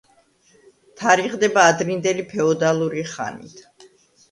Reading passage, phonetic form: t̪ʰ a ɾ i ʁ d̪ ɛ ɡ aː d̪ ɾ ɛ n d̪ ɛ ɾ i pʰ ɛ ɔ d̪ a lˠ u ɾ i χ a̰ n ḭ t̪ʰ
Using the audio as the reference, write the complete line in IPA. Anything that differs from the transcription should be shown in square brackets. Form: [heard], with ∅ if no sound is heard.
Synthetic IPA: t̪ʰ a ɾ i ʁ d̪ ɛ [b] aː d̪ ɾ [i] n d̪ ɛ [l] i pʰ ɛ ɔ d̪ a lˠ u ɾ i χ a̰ n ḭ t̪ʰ